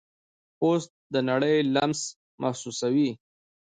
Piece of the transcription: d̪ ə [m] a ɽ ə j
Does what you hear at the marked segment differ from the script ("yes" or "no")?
yes